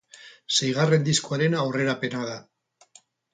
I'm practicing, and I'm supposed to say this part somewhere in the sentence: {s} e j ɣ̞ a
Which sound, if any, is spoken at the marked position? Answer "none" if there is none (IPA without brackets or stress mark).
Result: s